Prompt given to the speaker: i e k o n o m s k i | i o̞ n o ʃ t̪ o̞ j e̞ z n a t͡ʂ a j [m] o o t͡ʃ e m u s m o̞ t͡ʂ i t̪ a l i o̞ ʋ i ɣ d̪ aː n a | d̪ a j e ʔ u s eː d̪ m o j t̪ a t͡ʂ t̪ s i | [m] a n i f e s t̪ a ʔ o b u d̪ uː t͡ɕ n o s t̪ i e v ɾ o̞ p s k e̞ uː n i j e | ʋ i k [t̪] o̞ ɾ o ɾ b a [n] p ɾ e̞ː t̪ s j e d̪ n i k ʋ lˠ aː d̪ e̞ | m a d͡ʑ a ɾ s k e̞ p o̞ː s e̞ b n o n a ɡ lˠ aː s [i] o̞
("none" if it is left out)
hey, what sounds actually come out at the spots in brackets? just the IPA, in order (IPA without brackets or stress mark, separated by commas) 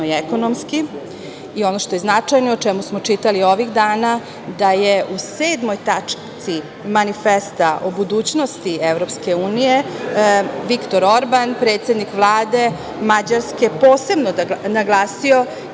n, m, t̪, n, i